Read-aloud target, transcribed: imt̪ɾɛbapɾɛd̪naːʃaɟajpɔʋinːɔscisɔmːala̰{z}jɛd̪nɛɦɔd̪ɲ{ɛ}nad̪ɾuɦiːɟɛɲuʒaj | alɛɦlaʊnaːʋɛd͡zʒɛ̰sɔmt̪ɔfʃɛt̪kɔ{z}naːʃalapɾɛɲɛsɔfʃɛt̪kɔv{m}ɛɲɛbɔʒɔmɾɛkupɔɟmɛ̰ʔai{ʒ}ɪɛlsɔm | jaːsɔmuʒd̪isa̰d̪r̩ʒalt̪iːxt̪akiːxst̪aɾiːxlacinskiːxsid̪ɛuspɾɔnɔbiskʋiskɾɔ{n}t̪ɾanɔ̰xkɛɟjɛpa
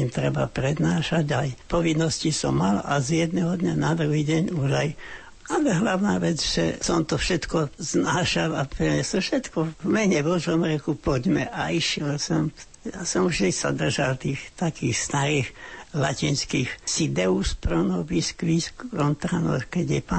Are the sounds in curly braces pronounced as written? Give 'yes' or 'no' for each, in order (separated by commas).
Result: yes, no, yes, yes, no, yes